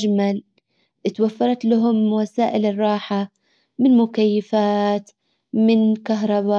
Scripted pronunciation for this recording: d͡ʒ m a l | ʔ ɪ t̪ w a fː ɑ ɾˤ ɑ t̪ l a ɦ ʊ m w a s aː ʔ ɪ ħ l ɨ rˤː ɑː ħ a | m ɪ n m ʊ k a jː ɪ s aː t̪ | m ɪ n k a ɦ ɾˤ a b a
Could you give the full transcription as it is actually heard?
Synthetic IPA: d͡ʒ m a l | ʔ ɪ t̪ w a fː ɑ ɾˤ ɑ t̪ l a ɦ ʊ m w a s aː ʔ ɪ l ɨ rˤː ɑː ħ a | m ɪ n m ʊ k a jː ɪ f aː t̪ | m ɪ n k a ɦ ɾˤ ɑ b a

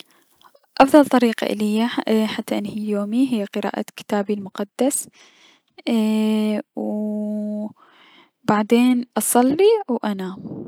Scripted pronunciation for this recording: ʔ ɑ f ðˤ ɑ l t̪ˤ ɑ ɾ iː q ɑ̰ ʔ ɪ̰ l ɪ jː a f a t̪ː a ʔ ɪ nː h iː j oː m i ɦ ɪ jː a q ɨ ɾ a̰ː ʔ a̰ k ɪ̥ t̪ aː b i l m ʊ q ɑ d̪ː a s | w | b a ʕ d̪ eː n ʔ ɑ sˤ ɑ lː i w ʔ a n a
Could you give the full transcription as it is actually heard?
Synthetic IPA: ʔ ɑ f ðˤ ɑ l t̪ˤ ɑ ɾ iː q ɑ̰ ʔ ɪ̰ l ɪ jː a ħ a t̪ː a ʔ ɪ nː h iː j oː m i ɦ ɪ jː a q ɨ ɾ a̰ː ʔ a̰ k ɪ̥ t̪ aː b i l m ʊ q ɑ d̪ː a s | w | b a ʕ d̪ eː n ʔ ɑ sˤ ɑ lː i w ʔ a n a

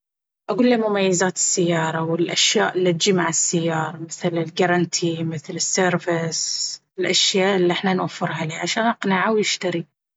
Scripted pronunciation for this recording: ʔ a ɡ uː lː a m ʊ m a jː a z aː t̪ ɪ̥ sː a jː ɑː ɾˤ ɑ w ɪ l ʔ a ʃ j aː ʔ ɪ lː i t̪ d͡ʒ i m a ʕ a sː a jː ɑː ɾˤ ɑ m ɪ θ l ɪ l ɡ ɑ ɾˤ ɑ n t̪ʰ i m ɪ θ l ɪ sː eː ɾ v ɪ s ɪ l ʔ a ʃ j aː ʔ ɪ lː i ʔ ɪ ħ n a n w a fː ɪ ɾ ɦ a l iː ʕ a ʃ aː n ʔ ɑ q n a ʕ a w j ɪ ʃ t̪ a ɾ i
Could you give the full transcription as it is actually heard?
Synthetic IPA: ʔ a ɡ uː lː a m ʊ m a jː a z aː t̪ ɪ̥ sː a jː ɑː ɾˤ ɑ w ɪ l ʔ a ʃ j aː ʔ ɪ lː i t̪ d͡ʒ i m a ʕ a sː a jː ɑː ɾˤ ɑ m ɪ θ l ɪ l ɡ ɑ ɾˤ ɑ n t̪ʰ i m ɪ θ l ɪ sː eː ɾ v ɪ s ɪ l ʔ a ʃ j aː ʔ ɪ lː i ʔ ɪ ħ n a n w a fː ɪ ɾ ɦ a l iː ʕ a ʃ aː n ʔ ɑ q n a ʕ a w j ɪ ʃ t̪ a ɾ i

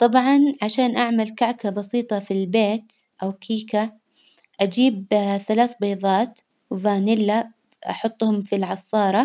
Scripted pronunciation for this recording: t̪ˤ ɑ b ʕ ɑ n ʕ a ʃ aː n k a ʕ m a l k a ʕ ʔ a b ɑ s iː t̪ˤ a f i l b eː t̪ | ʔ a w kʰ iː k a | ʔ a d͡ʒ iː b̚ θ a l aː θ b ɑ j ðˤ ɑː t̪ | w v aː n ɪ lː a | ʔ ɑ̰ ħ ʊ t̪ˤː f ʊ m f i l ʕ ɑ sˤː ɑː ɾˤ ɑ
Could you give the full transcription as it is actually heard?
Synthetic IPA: t̪ˤ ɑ b ʕ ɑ n ʕ a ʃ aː n ʔ a ʕ m a l k a ʕ k a b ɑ s iː t̪ˤ ɑ f i l b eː t̪ | ʔ a w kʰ iː k a | ʔ a d͡ʒ iː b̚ θ a l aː θ b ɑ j ðˤ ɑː t̪ | w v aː n ɪ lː a | ʔ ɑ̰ ħ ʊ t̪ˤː h ʊ m f i l ʕ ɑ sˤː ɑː ɾˤ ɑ

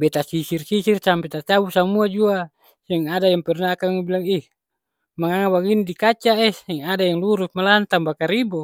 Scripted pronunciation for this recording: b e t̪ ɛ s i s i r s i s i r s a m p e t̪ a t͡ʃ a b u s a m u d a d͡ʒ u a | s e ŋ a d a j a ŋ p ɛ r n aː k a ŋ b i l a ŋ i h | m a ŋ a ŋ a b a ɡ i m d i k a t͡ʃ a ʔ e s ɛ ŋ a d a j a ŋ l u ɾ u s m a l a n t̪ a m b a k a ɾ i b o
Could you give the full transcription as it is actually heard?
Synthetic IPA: b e t̪ a s i s i r s i s i r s a m p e t̪ a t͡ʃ a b u s a m u a d͡ʒ u a | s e ŋ a d a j a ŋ p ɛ r n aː k a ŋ b i l a ŋ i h | m a ŋ a ŋ a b a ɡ i n d i k a t͡ʃ a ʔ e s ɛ ŋ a d a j a ŋ l u ɾ u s m a l a n t̪ a m b a k a ɾ i b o

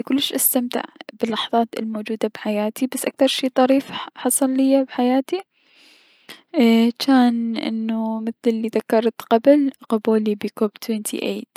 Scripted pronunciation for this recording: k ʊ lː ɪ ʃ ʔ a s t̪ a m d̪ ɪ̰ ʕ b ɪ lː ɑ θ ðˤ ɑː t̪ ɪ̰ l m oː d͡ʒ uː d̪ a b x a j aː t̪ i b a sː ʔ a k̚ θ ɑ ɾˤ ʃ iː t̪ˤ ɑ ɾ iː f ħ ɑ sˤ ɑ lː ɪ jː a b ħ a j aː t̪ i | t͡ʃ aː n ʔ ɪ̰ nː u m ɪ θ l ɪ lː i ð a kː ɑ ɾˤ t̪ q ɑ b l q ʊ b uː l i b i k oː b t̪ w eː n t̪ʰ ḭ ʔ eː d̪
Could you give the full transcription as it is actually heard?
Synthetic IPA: k ʊ lː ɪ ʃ ʔ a s t̪ a m t̪ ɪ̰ ʕ b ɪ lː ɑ ħ ðˤ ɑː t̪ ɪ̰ l m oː d͡ʒ uː d̪ a b ħ a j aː t̪ i b a sː ʔ a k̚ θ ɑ ɾˤ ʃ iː t̪ˤ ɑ ɾ iː f ħ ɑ sˤ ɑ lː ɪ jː a b ħ a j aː t̪ i | t͡ʃ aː n ʔ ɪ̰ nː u m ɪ θ l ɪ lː i ð a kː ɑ ɾˤ t̪ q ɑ b l q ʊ b uː l i b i k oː b t̪ w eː n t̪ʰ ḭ ʔ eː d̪

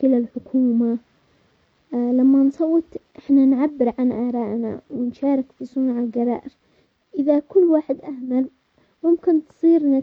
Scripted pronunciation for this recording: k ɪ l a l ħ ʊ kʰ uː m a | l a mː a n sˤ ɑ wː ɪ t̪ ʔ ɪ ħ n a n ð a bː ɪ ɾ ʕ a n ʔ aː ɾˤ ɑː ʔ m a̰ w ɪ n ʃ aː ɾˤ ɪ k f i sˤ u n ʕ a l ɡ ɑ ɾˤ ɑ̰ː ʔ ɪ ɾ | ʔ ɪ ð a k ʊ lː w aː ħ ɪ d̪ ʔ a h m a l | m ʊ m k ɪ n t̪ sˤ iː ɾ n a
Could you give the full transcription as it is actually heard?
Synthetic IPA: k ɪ l a l ħ ʊ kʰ uː m a | l a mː a n sˤ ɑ wː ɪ t̪ ʔ ɪ ħ n a n ʕ a bː ɪ ɾ ʕ a n ʔ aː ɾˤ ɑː ʔ n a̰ w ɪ n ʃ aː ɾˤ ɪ k f i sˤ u n ʕ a l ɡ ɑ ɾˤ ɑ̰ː ʔ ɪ ɾ | ʔ ɪ ð a k ʊ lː w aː ħ ɪ d̪ ʔ a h m a l | m ʊ m k ɪ n t̪ sˤ iː ɾ n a

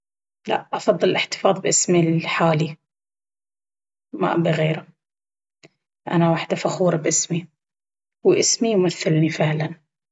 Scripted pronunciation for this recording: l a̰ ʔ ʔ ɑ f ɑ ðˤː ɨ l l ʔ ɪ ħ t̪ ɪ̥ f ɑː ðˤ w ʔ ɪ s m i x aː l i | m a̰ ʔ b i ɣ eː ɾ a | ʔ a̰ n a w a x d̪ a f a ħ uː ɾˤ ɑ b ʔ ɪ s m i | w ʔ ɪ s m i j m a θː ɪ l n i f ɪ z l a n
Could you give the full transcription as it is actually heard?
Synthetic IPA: l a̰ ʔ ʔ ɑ f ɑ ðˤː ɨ l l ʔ ɪ ħ t̪ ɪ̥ f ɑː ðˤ b ʔ ɪ s m i ħ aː l i | m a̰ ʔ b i ɣ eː ɾ a | ʔ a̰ n a w a ħ d̪ a f a x uː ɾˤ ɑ b ʔ ɪ s m i | w ʔ ɪ s m i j m a θː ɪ l n i f ɪ ʕ l a n

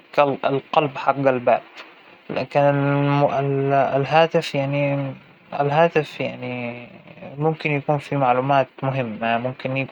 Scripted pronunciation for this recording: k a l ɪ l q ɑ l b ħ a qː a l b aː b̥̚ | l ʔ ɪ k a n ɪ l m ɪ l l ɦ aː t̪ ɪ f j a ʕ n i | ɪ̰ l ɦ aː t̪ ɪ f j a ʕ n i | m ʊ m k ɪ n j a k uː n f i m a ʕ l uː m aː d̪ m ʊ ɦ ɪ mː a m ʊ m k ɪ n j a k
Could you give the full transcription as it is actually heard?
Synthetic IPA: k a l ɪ l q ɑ l b ħ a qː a l b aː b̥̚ | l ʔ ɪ k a n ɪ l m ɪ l l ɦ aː t̪ ɪ f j a ʕ n i | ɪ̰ l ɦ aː t̪ ɪ f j a ʕ n i | m ʊ m k ɪ n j a k uː n f i m a ʕ l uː m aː t̪ m ʊ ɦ ɪ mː a m ʊ m k ɪ n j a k

